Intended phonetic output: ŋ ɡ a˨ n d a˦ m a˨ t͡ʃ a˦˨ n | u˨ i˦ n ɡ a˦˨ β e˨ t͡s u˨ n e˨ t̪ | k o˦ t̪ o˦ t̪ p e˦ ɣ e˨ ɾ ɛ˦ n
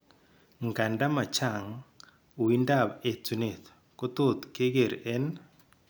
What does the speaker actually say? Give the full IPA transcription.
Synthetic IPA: ŋ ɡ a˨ n d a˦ m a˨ t͡ʃ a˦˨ ŋ | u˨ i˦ n d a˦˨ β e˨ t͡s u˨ n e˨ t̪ | k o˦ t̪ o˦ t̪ k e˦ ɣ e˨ ɾ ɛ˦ n